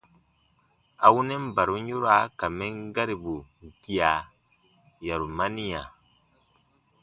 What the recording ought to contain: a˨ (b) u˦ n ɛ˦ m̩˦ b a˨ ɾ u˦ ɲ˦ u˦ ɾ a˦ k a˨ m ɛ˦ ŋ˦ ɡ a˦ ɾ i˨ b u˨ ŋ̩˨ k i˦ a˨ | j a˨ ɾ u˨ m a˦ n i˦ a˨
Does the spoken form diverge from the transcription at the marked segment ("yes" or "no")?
yes